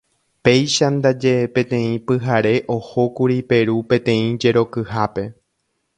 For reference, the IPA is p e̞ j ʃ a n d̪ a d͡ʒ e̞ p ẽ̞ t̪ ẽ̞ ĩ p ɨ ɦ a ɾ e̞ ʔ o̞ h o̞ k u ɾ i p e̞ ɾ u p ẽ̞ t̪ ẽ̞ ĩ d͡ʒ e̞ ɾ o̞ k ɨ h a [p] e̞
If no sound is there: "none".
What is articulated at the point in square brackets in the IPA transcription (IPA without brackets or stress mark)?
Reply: p